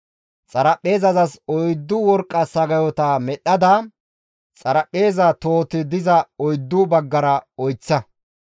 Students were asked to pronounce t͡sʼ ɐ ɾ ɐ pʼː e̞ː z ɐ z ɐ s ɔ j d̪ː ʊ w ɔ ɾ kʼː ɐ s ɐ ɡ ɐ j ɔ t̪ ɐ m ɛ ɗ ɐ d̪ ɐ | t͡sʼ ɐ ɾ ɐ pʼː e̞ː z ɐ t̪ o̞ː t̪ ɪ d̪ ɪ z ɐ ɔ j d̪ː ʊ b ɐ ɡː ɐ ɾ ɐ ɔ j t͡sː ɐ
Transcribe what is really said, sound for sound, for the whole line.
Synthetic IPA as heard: t͡sʼ ɐ ɾ ɐ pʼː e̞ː z ɐ z ɐ s ɔ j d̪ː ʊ w ɔ ɾ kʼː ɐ s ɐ ɡ ɐ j ɔ t̪ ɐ m ɛ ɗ ɐ d̪ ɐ | t͡sʼ ɐ ɾ ɐ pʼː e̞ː z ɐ t̪ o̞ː t̪ ɪ d̪ ɪ z ɐ ɔ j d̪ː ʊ b ɐ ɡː ɐ ɾ ɐ ɔ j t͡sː ɐ

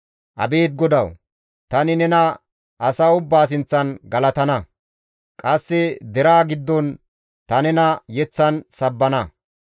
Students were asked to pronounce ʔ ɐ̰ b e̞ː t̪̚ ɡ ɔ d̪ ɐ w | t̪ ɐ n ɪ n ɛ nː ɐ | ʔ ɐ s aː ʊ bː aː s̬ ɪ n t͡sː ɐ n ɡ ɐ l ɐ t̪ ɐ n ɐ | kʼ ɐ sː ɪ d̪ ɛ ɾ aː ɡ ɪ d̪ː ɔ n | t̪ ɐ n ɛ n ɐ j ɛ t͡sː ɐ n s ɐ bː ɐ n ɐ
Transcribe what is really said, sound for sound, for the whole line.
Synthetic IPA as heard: ʔ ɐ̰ b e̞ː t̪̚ ɡ ɔ d̪ ɐ w | t̪ ɐ n ɪ n ɛ n ɐ | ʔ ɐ s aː ʊ bː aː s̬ ɪ n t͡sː ɐ n ɡ ɐ l ɐ t̪ ɐ n ɐ | kʼ ɐ sː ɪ d̪ ɛ ɾ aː ɡ ɪ d̪ː ɔ n | t̪ ɐ n ɛ n ɐ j ɛ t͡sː ɐ n s ɐ bː ɐ n ɐ

